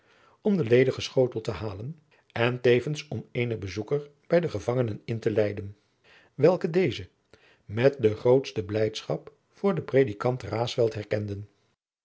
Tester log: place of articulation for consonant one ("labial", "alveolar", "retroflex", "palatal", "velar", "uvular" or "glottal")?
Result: labial